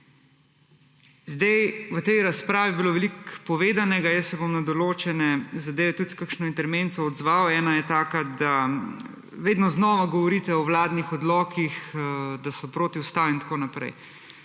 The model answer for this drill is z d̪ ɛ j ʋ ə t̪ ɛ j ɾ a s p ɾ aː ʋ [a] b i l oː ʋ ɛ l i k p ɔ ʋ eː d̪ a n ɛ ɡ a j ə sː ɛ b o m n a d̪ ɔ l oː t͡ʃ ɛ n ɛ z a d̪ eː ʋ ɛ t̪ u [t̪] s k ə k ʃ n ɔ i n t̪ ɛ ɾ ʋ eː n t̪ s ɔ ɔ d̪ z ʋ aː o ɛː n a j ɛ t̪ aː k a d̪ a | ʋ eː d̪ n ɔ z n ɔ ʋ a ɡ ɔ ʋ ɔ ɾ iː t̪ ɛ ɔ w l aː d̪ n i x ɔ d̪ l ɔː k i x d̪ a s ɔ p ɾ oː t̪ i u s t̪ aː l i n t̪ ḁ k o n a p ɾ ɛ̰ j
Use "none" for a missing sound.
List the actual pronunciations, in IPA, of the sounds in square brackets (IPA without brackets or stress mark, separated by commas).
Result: i, t̪